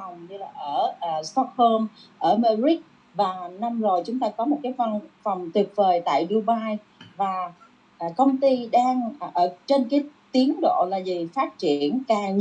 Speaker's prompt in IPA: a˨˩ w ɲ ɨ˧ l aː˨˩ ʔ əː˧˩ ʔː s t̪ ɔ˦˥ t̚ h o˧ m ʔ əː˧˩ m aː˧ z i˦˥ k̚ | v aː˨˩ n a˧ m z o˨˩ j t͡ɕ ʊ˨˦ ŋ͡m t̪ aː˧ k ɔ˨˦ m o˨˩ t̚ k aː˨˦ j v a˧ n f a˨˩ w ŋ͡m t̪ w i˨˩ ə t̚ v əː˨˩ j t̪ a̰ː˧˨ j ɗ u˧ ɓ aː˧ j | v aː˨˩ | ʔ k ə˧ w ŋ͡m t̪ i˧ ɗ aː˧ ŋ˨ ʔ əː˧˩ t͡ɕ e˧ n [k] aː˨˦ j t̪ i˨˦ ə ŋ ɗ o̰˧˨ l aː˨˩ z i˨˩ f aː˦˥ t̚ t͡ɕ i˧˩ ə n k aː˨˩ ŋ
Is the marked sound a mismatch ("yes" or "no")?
no